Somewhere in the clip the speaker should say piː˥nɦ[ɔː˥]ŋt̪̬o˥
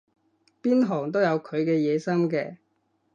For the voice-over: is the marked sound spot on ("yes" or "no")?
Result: no